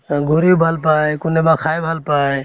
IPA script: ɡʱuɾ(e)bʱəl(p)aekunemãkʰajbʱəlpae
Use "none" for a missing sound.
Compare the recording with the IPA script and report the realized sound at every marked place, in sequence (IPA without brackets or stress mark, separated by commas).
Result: i, p